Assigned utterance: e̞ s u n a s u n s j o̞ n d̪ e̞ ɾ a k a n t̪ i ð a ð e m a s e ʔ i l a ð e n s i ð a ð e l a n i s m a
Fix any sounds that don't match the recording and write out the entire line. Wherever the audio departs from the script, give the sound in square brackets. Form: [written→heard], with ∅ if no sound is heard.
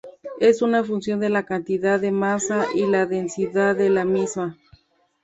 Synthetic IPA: e̞ s u n a [s→f] u n s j o̞ n d̪ e̞ [ɾ→l] a k a n t̪ i ð a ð e m a s [e→a] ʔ i l a ð e n s i ð a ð e l a [n→m] i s m a